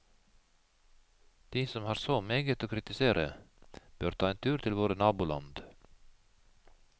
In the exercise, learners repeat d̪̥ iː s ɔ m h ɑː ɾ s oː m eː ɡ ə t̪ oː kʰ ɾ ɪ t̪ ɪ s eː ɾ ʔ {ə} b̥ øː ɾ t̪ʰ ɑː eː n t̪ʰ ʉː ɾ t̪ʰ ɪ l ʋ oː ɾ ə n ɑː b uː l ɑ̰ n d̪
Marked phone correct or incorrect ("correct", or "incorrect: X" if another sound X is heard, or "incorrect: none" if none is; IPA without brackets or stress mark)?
correct